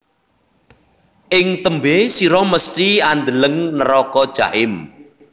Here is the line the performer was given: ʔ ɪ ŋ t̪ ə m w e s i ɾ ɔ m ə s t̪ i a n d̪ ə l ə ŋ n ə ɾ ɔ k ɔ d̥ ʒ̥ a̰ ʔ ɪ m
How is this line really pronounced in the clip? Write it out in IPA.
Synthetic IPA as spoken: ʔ ɪ ŋ t̪ ə m b e s i ɾ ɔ m ə s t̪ i a n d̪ ə l ə ŋ n ə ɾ ɔ k ɔ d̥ ʒ̥ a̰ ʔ ɪ m